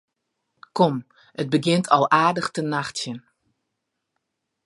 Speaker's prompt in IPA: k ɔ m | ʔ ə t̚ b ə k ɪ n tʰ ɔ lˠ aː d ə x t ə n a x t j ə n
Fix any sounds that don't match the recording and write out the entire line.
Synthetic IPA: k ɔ m | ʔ ə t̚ b ə ɡ ɪ n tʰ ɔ lˠ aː d ə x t ə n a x t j ə n